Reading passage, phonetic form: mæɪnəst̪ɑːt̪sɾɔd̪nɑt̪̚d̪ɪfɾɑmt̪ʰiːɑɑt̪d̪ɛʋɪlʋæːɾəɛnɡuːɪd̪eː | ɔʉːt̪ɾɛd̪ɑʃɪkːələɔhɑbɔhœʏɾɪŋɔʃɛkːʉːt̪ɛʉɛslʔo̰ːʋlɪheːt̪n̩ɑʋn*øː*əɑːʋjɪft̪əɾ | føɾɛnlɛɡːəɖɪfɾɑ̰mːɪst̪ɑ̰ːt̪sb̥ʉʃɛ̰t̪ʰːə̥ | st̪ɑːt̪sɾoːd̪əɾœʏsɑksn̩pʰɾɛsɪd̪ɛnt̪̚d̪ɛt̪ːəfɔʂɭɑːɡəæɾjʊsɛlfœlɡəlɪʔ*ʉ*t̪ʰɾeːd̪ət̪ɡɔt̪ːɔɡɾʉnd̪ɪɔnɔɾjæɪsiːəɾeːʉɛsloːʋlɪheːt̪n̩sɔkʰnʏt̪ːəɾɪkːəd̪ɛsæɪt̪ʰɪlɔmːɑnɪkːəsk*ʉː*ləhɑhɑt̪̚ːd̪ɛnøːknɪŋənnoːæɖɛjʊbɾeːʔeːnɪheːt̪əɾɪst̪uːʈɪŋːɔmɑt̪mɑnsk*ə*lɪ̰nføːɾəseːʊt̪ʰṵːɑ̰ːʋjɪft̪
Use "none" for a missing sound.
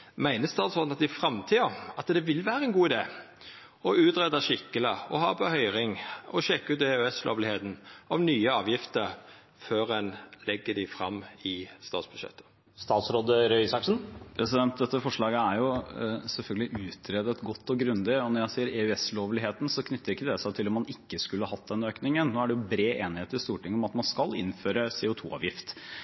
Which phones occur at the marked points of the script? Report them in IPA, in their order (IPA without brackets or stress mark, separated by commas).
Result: yː, ʉː, ʉ, ɑ